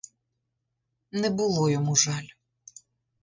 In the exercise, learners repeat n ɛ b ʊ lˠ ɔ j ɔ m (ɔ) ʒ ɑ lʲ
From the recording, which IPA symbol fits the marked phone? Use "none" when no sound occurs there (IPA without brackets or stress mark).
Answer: u